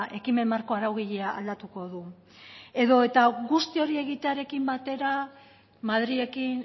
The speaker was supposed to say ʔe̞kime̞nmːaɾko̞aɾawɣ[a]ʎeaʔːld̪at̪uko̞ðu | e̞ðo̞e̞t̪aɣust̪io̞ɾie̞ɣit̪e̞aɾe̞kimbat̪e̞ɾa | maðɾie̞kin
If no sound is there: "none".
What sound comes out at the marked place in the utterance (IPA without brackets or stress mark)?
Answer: i